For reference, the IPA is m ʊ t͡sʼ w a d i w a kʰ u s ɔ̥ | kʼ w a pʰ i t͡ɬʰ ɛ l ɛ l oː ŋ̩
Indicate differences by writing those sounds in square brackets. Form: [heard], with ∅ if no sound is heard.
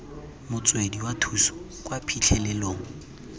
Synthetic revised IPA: m ʊ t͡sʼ w [e] d i w a [tʰ] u s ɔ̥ | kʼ w a pʰ i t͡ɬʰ ɛ l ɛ l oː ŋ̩